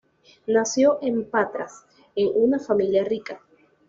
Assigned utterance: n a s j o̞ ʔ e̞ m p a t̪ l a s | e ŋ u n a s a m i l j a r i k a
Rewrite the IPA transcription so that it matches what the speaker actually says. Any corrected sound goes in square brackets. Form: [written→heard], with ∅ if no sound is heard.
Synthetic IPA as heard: n a s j o̞ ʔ e̞ m p a t̪ [l→ɾ] a s | e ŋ u n a [s→f] a m i l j a r i k a

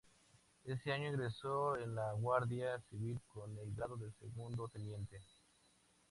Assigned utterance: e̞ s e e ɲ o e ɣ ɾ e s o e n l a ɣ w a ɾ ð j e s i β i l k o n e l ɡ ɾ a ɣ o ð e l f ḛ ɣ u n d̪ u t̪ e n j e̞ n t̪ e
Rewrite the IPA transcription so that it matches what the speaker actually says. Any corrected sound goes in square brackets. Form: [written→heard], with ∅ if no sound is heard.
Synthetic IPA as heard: e̞ s e [e→a] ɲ o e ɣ ɾ e s o e n l a ɣ w a ɾ ð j [e→a] s i β i l k o n e l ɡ ɾ a [ɣ→ð] o ð e l [f→s] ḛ ɣ u n d̪ [u→o] t̪ e n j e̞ n t̪ e

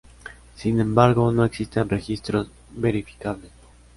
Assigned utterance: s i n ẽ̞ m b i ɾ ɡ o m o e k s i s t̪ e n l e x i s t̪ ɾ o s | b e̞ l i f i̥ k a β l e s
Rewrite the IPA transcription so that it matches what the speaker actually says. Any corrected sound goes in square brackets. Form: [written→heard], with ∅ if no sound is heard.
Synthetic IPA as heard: s i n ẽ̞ m b [i→a] ɾ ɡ o [m→n] o e k s i s t̪ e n [l→r] e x i s t̪ ɾ o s | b e̞ [l→ɾ] i f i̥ k a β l e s

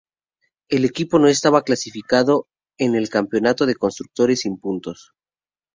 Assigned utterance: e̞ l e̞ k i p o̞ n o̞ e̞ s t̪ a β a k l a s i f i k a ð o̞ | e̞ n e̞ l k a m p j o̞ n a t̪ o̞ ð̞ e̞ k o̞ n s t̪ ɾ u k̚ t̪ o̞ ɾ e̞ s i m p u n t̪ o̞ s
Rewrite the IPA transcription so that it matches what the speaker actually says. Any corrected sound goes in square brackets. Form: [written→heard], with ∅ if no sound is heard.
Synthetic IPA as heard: e̞ l e̞ k i p o̞ n o̞ e̞ s t̪ a β a k l a s i f i k a ð o̞ | e̞ n e̞ l k a m p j o̞ n a t̪ o̞ ð̞ e̞ k o̞ n s t̪ ɾ u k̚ t̪ o̞ ɾ e̞ s i m p u n t̪ o̞ s

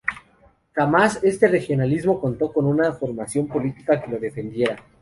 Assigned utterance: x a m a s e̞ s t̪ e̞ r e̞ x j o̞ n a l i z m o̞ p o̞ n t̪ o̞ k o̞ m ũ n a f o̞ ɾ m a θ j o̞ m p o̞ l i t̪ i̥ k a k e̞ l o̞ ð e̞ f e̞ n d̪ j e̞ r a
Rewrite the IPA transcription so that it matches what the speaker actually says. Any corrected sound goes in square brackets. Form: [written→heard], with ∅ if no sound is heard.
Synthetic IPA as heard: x a m a s e̞ s t̪ e̞ r e̞ x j o̞ n a l i z m o̞ [p→k] o̞ n t̪ o̞ k o̞ [m→n] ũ n a f o̞ ɾ m a [θ→s] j o̞ m p o̞ l i t̪ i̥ k a k e̞ l o̞ ð e̞ f e̞ n d̪ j e̞ [r→ɾ] a

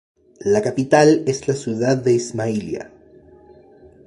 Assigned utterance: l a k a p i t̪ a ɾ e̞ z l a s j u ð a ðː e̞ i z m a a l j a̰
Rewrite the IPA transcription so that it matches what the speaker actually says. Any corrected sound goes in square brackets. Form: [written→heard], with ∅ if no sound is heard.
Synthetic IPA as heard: l a k a p i t̪ a [ɾ→l] e̞ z l a s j u ð a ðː e̞ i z m a [a→i] l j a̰

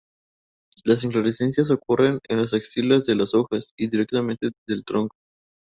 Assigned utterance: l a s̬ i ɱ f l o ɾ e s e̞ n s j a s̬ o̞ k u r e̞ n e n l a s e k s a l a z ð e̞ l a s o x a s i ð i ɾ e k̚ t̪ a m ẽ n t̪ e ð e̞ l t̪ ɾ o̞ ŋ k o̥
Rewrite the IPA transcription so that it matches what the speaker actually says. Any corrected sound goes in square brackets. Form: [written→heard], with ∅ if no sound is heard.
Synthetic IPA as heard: l a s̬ i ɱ f l o ɾ e s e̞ n s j a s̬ o̞ k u r e̞ n e n l a s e k s [a→i] l a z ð e̞ l a s o x a s i ð i ɾ e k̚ t̪ a m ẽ n t̪ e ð e̞ l t̪ ɾ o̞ ŋ k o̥

